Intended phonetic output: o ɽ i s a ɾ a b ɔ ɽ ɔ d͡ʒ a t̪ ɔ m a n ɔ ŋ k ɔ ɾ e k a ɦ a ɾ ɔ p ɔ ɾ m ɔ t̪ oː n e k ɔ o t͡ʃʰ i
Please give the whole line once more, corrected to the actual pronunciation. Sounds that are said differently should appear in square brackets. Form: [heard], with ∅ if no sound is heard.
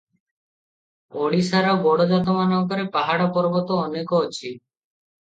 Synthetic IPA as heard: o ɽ i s a ɾ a b ɔ ɽ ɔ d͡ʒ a t̪ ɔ m a n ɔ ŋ k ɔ ɾ e [p] a ɦ a [ɽ] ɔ p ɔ ɾ [b] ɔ t̪ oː n e k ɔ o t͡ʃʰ i

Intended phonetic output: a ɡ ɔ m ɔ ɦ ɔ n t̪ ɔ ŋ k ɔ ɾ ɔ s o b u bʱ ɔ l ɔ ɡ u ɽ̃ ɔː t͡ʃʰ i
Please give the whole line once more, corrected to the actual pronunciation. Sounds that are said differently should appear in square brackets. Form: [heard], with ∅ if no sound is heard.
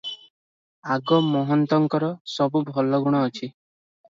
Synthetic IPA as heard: a ɡ ɔ m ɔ ɦ ɔ n t̪ ɔ ŋ k ɔ ɾ ɔ s [ɔ] b u bʱ ɔ l ɔ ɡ u ɽ̃ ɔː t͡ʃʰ i

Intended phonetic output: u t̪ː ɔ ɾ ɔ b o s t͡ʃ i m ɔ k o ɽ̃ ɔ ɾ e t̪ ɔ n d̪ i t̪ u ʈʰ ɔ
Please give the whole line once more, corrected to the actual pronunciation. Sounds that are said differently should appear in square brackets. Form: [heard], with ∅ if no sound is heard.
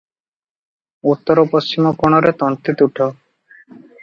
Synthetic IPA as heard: u t̪ː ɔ ɾ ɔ [p] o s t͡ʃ i m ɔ k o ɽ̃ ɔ ɾ e t̪ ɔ n [t̪] i t̪ u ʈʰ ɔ

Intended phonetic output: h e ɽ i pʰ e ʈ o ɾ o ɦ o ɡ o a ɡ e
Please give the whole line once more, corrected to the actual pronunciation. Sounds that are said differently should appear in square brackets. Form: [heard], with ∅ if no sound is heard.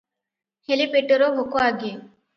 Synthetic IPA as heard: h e [l] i [p] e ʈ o ɾ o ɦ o [k] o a ɡ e

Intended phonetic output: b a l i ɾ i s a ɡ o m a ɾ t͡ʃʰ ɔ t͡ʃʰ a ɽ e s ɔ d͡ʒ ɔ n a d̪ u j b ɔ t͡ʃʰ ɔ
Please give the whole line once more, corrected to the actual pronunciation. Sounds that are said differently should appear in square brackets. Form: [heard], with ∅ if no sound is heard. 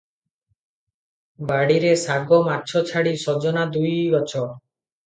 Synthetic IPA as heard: b a [ɽ] i ɾ [e] s a ɡ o m a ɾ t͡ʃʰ ɔ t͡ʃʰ a ɽ [i] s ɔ d͡ʒ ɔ n a d̪ u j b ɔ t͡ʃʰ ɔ

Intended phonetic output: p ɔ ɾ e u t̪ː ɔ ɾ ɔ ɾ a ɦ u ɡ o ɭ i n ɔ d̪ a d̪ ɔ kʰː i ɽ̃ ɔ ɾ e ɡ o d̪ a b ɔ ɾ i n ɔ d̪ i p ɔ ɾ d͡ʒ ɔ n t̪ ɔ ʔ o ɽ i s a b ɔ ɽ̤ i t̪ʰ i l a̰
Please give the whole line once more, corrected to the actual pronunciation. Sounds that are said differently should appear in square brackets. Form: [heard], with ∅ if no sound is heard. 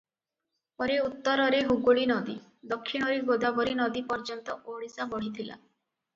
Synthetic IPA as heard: p ɔ ɾ e u t̪ː ɔ ɾ ɔ ɾ [e] ɦ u ɡ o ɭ i n ɔ d̪ [i] d̪ ɔ kʰː i ɽ̃ ɔ ɾ e ɡ o d̪ a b ɔ ɾ i n ɔ d̪ i p ɔ ɾ d͡ʒ ɔ n t̪ ɔ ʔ o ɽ i s a b ɔ ɽ̤ i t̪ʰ i l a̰

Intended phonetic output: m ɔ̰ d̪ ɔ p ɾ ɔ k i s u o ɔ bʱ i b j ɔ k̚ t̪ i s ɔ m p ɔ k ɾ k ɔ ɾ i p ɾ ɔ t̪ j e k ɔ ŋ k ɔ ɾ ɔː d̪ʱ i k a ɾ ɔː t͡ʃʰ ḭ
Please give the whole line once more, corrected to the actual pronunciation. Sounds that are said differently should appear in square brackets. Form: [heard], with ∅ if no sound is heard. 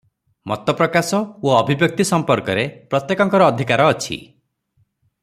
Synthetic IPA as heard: m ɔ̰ [t̪] ɔ p ɾ ɔ k [a] s [ɔ] o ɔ bʱ i b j ɔ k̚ t̪ i s ɔ m p ɔ [∅] ɾ k ɔ ɾ [e] p ɾ ɔ t̪ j e k ɔ ŋ k ɔ ɾ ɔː d̪ʱ i k a ɾ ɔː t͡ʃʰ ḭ

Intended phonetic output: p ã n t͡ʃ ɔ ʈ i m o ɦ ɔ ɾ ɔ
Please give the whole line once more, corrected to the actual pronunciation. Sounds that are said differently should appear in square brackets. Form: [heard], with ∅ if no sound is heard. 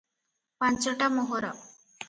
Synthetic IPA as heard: p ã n t͡ʃ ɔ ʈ [a] m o ɦ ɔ ɾ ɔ

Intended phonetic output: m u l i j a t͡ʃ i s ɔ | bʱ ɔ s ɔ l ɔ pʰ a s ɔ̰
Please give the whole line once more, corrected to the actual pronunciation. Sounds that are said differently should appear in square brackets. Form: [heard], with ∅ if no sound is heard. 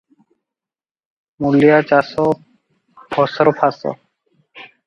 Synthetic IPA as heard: m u l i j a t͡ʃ [a] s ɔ | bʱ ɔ s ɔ [ɾ] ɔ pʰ a s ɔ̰

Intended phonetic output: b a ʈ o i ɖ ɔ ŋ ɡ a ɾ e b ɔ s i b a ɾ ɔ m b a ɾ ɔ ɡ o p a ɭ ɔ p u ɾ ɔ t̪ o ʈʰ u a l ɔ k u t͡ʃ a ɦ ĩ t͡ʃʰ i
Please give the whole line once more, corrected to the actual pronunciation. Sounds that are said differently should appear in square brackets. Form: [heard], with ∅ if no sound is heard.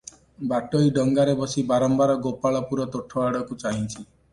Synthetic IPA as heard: b a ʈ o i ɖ ɔ ŋ ɡ a ɾ e b ɔ s i b a ɾ ɔ m b a ɾ ɔ ɡ o p a ɭ ɔ p u ɾ ɔ t̪ o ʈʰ [ɔ] a [ɽ] ɔ k u t͡ʃ a ɦ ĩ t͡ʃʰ i

